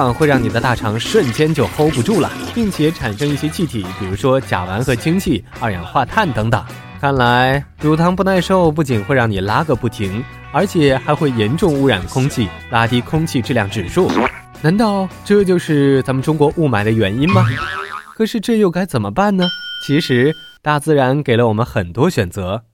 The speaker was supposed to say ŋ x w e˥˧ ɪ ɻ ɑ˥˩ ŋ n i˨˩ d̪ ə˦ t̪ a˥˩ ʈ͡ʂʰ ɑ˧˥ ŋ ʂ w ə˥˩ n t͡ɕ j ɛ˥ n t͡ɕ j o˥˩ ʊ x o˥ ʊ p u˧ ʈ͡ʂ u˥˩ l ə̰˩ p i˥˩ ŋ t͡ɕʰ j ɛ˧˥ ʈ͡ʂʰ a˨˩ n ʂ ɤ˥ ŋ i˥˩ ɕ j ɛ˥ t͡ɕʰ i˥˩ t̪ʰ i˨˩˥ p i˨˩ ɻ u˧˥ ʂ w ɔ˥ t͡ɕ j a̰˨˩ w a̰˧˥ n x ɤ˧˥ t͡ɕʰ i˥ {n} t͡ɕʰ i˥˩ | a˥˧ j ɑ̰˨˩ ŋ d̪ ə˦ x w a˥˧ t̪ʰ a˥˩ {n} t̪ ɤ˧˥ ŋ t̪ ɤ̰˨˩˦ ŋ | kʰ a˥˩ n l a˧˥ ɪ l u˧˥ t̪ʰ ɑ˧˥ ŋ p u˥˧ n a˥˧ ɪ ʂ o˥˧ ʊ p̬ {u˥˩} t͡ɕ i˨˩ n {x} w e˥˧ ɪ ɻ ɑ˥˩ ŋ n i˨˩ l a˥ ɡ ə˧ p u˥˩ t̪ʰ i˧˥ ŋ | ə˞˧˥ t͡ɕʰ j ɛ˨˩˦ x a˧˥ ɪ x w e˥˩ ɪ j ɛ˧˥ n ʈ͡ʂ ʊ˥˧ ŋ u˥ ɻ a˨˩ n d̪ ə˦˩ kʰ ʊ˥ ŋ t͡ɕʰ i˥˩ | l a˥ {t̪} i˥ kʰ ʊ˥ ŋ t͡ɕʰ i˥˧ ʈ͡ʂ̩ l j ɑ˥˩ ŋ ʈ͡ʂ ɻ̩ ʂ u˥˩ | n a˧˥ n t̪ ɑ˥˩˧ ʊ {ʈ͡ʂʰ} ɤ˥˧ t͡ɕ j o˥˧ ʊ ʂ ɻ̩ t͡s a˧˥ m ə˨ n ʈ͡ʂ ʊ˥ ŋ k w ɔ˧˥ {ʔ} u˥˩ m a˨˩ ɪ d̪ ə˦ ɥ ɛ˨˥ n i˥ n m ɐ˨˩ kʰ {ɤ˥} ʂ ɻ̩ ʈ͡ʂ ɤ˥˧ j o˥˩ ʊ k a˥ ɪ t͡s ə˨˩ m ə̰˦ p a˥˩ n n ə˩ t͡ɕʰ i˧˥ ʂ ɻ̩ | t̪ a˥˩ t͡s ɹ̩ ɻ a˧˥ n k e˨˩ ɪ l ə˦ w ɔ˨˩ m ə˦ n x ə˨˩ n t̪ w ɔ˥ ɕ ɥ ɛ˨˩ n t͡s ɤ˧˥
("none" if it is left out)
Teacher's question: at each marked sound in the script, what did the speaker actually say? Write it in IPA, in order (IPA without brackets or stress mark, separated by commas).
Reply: ŋ, n, u˥˩, x, t̪, ʈ͡ʂ, ʔ, ɤ˨˩